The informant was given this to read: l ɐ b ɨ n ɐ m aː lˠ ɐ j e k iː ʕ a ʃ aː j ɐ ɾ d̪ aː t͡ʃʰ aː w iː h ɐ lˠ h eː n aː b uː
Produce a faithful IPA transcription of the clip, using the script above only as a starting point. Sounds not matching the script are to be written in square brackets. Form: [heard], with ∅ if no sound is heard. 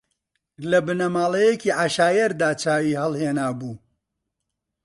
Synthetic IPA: l ɐ b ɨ n ɐ m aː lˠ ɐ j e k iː ʕ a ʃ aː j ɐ ɾ d̪ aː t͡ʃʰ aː w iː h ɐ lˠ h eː n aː b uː